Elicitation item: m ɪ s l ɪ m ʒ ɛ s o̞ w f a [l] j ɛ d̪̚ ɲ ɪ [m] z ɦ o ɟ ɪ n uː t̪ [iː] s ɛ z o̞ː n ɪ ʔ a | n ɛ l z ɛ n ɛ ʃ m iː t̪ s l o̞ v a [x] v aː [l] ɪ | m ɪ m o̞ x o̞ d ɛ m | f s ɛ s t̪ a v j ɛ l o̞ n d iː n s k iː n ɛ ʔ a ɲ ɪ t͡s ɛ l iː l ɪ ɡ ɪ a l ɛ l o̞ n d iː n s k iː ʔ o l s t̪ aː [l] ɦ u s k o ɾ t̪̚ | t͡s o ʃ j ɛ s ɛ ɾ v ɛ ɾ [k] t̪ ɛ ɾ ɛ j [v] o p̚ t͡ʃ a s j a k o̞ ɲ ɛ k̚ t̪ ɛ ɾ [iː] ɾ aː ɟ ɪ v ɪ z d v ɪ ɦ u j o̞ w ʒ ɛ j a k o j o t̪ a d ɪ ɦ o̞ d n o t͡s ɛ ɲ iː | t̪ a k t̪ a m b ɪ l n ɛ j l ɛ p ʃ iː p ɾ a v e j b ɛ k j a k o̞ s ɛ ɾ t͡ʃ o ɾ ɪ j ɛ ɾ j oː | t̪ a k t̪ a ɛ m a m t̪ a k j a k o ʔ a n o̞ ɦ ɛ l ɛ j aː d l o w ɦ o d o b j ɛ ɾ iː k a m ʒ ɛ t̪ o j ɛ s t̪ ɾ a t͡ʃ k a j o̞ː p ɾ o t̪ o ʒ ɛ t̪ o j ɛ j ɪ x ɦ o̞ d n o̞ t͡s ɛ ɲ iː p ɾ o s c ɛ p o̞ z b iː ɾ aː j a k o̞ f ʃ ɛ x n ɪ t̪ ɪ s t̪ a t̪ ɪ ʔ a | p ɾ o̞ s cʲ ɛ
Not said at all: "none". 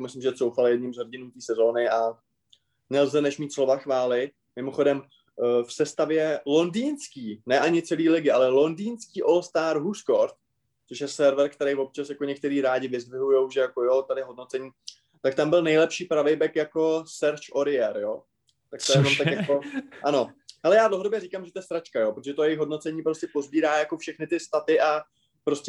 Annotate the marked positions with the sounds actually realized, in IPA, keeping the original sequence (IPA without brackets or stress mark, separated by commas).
l, m, iː, x, l, ɾ, k, v, iː